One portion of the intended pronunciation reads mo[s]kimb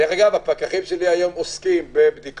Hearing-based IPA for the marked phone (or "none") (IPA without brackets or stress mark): s